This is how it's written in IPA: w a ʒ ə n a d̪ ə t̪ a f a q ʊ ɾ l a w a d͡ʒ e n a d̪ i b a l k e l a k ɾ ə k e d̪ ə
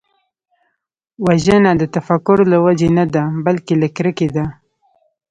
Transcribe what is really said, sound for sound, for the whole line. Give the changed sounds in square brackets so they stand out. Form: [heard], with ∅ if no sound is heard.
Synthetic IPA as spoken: w a ʒ ə n a d̪ ə t̪ a f a [k] ʊ ɾ l a w a d͡ʒ e n a d̪ [a] b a l k e l a k ɾ ə k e d̪ [a]